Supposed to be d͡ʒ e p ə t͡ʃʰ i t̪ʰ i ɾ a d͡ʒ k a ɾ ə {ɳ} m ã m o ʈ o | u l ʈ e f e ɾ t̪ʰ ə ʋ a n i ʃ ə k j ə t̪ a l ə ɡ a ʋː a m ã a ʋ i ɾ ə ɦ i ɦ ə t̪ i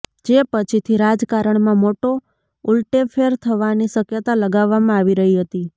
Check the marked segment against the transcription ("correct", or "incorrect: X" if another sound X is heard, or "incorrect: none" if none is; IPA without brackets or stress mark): correct